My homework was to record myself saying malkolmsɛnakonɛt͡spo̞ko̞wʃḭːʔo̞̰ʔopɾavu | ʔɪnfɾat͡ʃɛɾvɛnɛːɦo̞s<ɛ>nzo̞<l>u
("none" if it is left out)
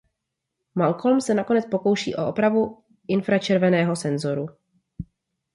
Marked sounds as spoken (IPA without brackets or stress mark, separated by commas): ɛ, ɾ